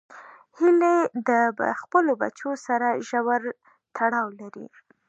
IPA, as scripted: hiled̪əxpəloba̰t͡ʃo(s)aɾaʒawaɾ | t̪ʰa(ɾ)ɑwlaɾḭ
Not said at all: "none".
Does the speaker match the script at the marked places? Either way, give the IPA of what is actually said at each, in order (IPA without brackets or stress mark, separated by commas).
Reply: s, ɽ